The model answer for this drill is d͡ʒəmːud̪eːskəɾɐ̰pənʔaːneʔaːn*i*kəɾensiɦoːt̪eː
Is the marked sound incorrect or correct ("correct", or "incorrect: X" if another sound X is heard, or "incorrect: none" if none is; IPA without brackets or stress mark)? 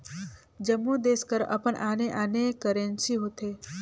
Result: incorrect: e